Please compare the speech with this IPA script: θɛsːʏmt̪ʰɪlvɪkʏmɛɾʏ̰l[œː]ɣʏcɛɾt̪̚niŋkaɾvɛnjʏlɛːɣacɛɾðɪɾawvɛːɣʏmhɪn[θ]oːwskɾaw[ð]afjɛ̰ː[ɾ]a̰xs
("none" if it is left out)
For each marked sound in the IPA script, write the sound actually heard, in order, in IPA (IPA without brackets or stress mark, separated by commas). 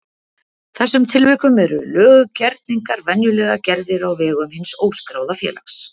œː, s, ð, l